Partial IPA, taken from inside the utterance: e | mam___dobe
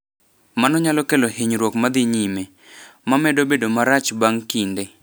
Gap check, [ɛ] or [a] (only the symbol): ɛ